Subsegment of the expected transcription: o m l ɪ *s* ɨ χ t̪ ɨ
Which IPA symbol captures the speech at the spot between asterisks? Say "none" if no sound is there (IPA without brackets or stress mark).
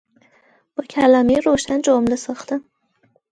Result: s